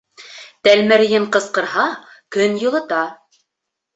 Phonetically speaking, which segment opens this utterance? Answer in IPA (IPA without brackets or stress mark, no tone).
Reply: t̪